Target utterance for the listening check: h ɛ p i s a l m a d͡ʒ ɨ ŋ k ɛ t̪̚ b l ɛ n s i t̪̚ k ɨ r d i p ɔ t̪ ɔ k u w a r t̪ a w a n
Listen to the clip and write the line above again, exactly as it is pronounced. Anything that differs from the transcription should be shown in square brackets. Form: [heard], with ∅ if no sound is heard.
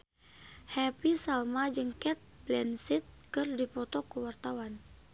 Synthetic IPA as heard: h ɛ p i s a l m a d͡ʒ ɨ ŋ k ɛ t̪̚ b l ɛ n s i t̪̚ k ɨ r d i p ɔ t̪ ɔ k u w a r t̪ a w a n